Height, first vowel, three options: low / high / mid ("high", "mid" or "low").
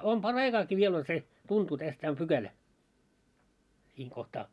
mid